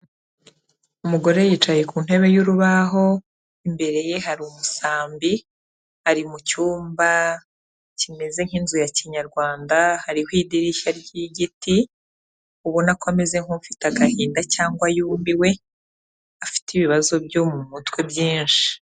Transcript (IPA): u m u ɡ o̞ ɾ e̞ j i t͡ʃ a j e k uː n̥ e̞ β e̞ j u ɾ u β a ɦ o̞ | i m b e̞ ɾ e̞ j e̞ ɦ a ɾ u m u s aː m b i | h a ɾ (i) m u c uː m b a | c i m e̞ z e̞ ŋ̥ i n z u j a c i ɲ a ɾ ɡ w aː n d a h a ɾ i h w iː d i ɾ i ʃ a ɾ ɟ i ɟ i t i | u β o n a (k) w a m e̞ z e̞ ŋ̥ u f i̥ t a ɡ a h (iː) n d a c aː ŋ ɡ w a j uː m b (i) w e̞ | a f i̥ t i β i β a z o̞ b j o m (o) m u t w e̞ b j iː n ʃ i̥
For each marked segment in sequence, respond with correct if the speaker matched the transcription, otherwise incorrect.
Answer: correct, correct, correct, correct, incorrect: u

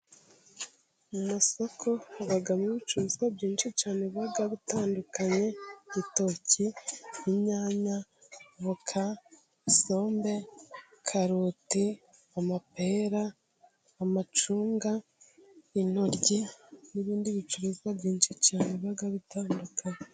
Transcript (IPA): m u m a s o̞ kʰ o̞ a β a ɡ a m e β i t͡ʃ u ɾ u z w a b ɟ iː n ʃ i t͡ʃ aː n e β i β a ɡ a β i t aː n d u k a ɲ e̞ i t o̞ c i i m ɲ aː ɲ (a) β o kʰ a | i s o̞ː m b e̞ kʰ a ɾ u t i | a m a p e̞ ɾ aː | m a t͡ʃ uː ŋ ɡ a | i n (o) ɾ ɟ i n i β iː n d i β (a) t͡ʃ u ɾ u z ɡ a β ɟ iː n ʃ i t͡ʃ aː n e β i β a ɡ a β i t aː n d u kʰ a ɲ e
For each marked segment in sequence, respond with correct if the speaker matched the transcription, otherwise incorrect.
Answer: correct, correct, incorrect: i

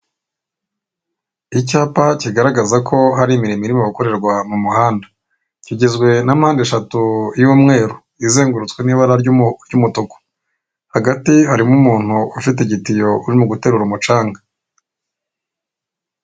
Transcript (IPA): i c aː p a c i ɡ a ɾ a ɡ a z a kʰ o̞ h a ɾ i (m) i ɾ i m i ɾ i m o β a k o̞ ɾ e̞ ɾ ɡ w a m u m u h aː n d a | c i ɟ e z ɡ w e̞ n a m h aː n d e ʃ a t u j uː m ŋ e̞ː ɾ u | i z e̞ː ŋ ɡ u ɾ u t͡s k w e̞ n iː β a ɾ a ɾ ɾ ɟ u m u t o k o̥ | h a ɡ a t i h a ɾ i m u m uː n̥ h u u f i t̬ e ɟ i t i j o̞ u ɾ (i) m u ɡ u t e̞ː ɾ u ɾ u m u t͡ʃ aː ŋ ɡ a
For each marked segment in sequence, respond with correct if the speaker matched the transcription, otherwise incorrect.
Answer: correct, correct

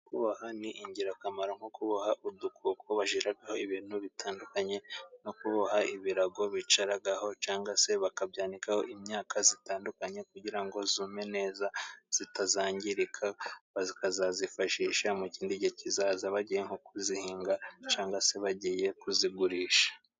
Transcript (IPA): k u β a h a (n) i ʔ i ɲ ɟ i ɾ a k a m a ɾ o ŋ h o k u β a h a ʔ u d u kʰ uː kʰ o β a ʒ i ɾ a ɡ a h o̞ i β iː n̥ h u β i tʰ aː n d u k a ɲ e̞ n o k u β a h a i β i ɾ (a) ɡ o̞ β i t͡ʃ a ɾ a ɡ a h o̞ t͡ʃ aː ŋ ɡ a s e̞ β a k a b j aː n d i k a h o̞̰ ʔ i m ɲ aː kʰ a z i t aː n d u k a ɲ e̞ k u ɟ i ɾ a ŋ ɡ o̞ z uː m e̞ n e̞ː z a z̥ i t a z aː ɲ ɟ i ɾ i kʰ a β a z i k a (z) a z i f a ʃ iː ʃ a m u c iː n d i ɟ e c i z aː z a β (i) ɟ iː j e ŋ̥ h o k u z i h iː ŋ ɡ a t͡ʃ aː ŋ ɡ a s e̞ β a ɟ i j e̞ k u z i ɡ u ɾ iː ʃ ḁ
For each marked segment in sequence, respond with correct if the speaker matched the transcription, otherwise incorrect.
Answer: correct, correct, correct, incorrect: a

